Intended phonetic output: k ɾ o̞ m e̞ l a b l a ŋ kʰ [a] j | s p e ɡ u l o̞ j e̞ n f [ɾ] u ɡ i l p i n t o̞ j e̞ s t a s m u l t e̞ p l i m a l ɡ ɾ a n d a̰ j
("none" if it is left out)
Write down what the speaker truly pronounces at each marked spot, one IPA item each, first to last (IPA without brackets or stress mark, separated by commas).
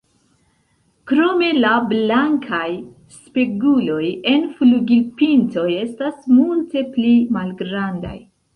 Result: a, l